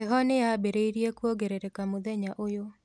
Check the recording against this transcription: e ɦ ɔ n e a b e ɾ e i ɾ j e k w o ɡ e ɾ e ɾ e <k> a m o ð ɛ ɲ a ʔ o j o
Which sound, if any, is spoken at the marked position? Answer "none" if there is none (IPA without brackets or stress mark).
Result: k